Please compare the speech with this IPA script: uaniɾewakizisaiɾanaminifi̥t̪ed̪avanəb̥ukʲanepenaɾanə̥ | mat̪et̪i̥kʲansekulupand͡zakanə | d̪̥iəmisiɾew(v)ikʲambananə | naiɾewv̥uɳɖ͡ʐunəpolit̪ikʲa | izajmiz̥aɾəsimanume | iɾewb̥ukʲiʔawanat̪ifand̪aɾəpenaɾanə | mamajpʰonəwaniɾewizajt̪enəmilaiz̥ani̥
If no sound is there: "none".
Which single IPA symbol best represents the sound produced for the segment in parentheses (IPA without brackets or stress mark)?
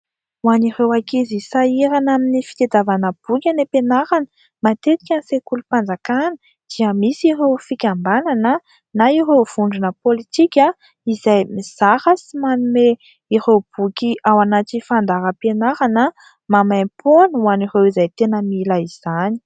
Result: f